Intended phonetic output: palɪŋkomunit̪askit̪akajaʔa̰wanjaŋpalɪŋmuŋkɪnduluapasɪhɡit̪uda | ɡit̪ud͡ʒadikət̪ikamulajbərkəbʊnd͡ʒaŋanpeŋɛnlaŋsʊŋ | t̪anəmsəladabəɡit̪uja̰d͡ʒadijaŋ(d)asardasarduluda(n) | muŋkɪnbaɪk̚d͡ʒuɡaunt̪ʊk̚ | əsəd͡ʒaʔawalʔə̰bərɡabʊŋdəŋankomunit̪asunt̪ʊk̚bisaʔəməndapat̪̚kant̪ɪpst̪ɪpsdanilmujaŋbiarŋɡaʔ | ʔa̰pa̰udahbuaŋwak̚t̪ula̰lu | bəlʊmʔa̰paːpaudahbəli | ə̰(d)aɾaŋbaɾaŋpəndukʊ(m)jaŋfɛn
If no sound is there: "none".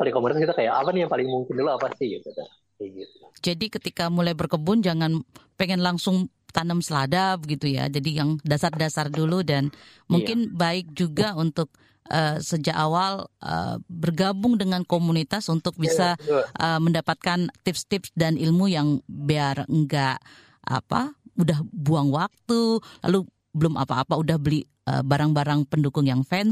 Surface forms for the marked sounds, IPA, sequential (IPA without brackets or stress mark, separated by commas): d, n, b, ŋ